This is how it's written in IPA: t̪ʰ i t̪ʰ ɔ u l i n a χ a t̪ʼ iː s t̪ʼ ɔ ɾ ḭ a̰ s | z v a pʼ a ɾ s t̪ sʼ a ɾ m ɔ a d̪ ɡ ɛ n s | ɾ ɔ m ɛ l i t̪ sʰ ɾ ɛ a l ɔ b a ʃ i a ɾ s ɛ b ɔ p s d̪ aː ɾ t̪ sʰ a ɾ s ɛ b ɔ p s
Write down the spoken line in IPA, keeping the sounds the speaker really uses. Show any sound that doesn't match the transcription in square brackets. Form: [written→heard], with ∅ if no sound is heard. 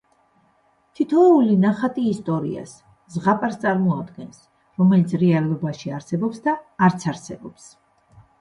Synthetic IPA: t̪ʰ i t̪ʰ ɔ u l i n a χ a t̪ʼ iː s t̪ʼ ɔ ɾ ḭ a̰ s | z [v→ʁ] a pʼ a ɾ s t̪ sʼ a ɾ m ɔ a d̪ ɡ ɛ n s | ɾ ɔ m ɛ l i t̪ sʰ ɾ ɛ a l ɔ b a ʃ i a ɾ s ɛ b ɔ p s d̪ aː ɾ t̪ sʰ a ɾ s ɛ b ɔ p s